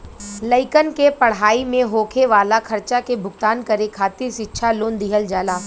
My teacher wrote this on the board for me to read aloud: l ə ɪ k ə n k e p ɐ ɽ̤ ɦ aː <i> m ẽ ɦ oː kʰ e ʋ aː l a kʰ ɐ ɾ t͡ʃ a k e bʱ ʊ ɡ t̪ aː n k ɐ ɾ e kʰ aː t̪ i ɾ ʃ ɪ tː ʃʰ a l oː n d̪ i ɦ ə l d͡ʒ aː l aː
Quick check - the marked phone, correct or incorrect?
correct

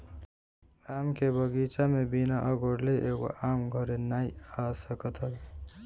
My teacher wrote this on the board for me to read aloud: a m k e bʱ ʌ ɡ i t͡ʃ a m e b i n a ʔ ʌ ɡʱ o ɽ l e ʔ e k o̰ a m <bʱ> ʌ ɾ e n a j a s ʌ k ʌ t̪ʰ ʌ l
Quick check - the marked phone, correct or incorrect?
incorrect: ɡʱ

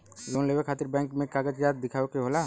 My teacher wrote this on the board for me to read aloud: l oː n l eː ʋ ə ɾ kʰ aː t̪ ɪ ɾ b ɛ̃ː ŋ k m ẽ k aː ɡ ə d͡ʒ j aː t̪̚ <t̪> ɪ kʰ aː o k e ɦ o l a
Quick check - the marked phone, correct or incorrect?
incorrect: d̪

